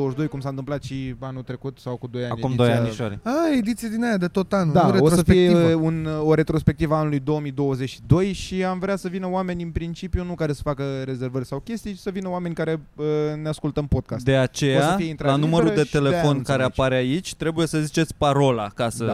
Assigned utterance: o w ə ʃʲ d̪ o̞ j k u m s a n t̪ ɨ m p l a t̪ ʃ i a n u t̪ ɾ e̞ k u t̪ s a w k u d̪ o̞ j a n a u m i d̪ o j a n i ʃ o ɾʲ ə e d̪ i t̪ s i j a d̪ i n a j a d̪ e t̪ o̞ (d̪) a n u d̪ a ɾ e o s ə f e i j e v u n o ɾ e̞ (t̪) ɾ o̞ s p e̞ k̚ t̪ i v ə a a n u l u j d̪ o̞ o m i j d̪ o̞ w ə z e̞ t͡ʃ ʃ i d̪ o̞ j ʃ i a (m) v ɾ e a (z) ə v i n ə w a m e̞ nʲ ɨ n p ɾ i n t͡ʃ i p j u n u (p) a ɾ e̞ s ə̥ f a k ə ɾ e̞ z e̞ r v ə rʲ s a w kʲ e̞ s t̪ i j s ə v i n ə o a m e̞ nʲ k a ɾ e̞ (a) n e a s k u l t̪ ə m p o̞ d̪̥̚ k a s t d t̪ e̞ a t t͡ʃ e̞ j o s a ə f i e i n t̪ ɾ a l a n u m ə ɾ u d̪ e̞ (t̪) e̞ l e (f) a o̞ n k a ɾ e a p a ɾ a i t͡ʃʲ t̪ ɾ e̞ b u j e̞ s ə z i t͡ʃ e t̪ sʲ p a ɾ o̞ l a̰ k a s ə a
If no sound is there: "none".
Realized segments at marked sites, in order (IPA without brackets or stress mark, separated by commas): t̪, t̪, m, s, k, ə, t̪, f